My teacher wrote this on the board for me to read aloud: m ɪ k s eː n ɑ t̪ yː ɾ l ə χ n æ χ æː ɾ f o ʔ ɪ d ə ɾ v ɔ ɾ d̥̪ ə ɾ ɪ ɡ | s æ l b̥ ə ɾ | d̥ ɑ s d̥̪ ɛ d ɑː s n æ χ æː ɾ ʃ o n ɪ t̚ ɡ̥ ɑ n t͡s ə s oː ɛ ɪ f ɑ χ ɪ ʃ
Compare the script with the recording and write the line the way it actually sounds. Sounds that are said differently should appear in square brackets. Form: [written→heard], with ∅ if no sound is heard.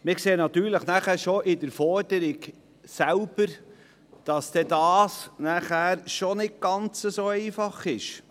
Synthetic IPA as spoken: m ɪ k s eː n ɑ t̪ yː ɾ l ə χ n æ χ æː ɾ [f→ʃ] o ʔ ɪ d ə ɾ [v→f] ɔ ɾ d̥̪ ə ɾ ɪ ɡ | s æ l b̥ ə ɾ | d̥ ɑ s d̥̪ ɛ d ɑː s n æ χ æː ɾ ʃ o n ɪ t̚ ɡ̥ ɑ n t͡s ə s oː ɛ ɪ f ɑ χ ɪ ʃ